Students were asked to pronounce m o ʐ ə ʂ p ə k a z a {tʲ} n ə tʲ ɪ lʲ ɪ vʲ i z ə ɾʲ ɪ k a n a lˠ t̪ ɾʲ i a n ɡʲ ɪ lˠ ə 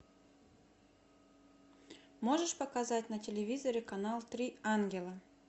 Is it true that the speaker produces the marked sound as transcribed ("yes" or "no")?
yes